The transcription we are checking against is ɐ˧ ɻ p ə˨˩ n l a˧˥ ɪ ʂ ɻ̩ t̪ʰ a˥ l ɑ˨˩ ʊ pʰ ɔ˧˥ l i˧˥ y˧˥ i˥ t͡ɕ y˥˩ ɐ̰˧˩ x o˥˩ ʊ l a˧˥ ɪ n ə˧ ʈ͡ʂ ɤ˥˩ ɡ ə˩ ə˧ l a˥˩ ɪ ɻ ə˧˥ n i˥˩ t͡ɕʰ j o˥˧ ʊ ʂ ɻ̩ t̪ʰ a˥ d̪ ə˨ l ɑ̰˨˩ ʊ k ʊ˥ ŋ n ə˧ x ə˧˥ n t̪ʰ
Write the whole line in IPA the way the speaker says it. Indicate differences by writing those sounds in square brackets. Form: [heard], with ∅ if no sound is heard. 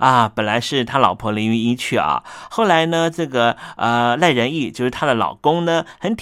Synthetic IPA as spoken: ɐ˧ [∅] p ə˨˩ n l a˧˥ ɪ ʂ ɻ̩ t̪ʰ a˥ l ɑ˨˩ ʊ pʰ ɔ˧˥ l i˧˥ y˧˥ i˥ [t͡ɕʰ] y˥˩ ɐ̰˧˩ x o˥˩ ʊ l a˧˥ ɪ n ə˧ ʈ͡ʂ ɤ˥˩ ɡ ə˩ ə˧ l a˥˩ ɪ ɻ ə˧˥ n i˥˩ [t͡ɕ] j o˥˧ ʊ ʂ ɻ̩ t̪ʰ a˥ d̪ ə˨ l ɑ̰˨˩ ʊ k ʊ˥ ŋ n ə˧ x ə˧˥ n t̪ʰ